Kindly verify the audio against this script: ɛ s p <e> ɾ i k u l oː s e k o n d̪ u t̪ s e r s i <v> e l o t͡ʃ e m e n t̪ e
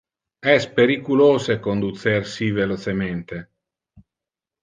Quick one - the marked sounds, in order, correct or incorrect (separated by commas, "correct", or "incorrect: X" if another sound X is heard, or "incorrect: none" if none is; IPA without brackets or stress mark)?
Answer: correct, correct